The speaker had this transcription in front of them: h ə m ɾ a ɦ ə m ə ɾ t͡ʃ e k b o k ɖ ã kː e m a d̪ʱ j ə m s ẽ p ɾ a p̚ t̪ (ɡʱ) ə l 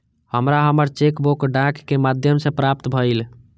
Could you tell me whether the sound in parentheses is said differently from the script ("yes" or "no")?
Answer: yes